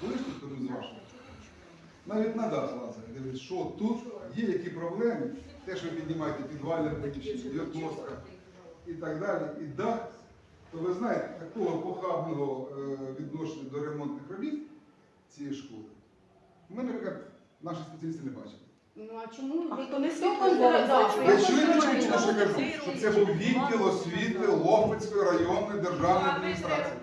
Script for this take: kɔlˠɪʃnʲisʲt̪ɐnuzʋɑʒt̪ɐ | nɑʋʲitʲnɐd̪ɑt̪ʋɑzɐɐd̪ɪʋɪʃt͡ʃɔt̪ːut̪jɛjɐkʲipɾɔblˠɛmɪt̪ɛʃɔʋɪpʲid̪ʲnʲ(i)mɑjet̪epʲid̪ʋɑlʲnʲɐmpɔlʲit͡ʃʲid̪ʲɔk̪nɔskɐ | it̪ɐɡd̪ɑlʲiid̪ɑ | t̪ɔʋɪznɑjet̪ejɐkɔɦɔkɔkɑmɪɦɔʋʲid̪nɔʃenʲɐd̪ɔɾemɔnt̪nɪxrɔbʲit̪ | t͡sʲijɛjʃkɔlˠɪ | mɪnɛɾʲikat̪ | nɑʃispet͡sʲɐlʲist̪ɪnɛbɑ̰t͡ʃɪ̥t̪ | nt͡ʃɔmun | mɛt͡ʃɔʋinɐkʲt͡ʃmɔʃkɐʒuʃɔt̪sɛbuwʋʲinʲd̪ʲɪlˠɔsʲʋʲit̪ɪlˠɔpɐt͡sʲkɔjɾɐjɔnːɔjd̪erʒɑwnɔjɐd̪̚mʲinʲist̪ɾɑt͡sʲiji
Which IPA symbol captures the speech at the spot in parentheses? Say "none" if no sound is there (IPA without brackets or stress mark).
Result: ɪ